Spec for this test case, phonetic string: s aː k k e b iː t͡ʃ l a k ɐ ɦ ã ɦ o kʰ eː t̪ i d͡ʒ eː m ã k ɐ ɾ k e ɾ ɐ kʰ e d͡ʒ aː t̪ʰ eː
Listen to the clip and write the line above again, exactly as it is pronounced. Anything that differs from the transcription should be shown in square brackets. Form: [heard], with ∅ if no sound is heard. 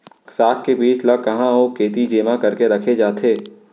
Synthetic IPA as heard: s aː k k e b iː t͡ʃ l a k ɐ ɦ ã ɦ o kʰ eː t̪ i d͡ʒ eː m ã k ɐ ɾ k e ɾ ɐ kʰ e d͡ʒ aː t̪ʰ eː